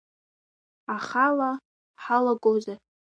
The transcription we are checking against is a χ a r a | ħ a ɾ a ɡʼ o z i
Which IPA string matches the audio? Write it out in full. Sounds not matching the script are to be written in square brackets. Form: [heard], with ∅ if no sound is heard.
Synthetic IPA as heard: a χ a [l] a | ħ a [l] a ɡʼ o z [a]